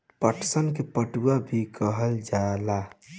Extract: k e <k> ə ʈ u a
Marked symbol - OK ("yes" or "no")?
no